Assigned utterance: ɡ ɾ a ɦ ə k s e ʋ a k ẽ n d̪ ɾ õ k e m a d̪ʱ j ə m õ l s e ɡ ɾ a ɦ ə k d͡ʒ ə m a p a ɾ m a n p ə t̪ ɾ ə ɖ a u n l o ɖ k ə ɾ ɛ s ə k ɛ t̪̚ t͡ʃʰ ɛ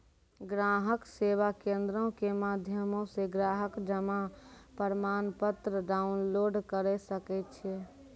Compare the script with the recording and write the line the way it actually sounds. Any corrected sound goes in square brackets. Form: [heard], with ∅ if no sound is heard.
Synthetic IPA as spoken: ɡ ɾ a ɦ ə k s e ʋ a k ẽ n d̪ ɾ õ k e m a d̪ʱ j ə m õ [∅] s e ɡ ɾ a ɦ ə k d͡ʒ ə m a p [ə] ɾ m a n p ə t̪ ɾ ə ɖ a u n l o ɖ k ə ɾ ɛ s ə k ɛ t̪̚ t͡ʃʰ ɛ